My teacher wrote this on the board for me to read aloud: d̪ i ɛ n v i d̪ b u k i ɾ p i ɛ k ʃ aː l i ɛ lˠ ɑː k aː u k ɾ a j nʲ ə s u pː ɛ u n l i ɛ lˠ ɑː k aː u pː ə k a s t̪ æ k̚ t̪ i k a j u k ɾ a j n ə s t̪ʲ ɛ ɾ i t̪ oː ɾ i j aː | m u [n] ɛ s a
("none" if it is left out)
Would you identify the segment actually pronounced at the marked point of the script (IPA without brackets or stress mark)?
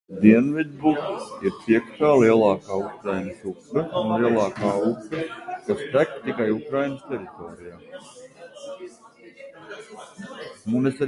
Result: n